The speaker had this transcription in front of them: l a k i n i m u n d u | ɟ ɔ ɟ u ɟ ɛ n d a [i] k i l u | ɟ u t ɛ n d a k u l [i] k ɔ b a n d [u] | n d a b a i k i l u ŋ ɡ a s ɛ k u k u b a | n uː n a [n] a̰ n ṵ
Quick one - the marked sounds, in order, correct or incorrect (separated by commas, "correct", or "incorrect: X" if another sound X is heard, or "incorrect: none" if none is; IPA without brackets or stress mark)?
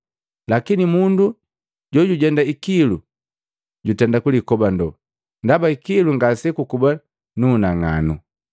correct, correct, incorrect: ɔ, incorrect: ŋ